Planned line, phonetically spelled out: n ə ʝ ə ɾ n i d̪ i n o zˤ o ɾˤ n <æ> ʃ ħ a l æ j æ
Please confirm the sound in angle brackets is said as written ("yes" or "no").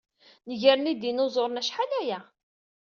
yes